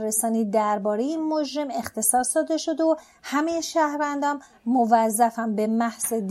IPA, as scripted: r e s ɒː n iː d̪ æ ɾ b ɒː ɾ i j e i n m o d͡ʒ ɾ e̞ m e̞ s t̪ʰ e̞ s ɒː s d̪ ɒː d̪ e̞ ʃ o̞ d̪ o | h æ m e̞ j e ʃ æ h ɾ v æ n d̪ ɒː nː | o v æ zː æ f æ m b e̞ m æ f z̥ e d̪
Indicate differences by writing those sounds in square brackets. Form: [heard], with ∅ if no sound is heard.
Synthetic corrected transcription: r e s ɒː n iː d̪ æ ɾ b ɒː ɾ [e] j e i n m o d͡ʒ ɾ e̞ m e̞ [x] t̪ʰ e̞ s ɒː s d̪ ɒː d̪ e̞ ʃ o̞ d̪ o | h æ m e̞ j e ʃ æ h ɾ v æ n d̪ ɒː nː | o v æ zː æ f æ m b e̞ m æ [h] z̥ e d̪